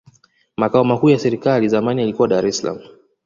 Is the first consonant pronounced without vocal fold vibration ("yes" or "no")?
no